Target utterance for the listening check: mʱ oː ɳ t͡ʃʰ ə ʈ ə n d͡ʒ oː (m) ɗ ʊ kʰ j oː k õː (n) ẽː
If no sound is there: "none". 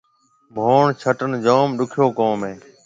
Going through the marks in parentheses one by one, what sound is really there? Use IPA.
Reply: m, m

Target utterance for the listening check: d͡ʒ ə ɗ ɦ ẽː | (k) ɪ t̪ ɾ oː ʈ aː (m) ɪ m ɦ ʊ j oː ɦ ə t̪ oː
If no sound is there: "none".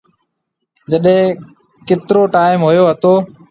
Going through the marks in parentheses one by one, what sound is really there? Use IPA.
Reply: k, none

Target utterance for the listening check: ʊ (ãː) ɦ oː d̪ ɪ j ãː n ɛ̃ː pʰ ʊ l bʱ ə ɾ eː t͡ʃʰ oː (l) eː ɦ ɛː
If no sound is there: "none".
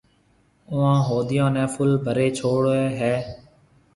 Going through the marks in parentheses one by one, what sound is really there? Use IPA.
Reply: ãː, ɽ

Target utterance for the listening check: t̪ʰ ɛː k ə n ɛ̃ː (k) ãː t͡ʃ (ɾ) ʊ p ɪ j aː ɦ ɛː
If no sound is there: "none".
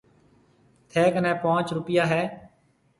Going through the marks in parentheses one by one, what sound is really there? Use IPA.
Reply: p, ɾ

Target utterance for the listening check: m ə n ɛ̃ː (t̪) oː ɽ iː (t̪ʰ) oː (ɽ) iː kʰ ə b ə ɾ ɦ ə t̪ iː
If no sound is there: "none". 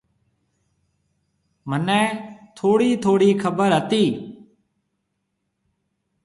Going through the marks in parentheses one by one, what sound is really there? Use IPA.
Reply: t̪ʰ, t̪ʰ, ɽ

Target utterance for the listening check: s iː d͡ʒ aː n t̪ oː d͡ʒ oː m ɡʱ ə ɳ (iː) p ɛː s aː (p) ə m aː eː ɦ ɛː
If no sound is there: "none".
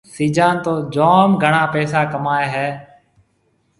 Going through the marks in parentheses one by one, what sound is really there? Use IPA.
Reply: aː, k

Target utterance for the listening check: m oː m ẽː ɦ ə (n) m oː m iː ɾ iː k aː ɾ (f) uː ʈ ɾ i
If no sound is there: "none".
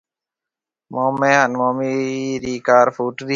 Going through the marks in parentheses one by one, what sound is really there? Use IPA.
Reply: n, f

